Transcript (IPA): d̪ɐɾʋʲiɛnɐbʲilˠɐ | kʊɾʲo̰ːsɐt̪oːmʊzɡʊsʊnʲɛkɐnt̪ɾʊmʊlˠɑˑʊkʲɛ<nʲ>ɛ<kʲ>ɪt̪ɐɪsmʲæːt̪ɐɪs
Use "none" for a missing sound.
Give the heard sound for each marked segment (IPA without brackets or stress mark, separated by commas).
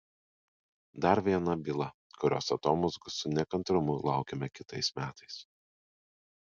mʲ, kʲ